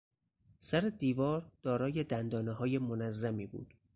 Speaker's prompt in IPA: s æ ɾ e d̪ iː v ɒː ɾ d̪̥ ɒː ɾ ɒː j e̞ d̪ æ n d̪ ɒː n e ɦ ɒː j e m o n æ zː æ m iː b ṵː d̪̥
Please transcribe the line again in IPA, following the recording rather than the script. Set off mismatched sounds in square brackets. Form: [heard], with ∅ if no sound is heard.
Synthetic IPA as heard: s æ ɾ e d̪ iː v ɒː ɾ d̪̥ ɒː ɾ ɒː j e̞ d̪ æ n d̪ ɒː n e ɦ ɒː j e m o n æ zː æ m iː b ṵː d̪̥